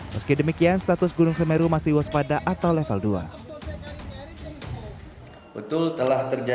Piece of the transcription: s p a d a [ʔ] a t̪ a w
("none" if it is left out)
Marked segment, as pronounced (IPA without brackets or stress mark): ʔ